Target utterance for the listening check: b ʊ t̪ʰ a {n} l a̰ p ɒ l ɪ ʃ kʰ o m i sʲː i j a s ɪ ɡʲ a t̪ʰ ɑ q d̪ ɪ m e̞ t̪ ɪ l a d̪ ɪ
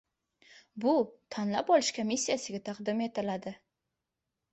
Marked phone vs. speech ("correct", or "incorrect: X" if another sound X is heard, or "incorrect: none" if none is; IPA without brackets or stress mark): correct